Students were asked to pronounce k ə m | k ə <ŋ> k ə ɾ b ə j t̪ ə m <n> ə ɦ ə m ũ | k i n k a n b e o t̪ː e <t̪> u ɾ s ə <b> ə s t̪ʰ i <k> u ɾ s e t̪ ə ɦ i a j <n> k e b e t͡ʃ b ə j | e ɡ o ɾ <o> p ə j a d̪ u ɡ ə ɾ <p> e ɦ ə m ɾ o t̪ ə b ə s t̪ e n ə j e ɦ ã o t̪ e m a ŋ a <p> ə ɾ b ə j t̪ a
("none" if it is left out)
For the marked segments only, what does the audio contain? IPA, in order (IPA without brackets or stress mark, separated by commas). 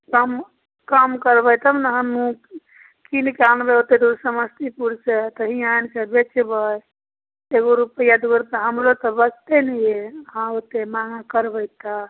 m, n, d̪, m, p, n, u, p, k